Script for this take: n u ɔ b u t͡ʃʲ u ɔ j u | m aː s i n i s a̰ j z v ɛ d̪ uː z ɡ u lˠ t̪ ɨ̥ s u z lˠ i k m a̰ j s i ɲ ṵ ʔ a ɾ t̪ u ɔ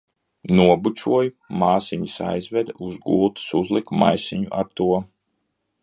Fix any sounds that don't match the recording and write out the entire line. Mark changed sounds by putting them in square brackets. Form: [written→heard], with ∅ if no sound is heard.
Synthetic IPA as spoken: n u ɔ b u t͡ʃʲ u ɔ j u | m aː s i [n→ɲ] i s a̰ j z v ɛ d̪ [uː→u] z ɡ u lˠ t̪ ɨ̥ s u z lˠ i k m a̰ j s i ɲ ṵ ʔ a ɾ t̪ u ɔ